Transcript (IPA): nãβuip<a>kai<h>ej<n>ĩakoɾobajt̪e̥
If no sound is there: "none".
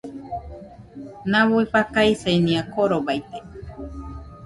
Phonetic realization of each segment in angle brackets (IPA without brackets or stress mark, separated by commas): a, s, n